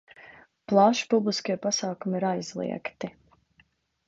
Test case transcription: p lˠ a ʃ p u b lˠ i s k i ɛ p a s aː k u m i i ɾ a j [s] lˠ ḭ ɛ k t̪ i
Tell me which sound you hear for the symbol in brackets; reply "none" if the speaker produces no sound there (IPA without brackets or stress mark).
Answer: z